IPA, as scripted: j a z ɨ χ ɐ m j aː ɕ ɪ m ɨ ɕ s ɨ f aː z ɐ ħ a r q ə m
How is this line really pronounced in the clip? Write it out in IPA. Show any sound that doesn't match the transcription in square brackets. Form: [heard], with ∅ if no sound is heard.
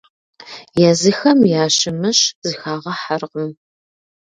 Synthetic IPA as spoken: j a z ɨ [x] ɐ m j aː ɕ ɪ m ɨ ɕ [z] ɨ [x] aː [ʁ] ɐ ħ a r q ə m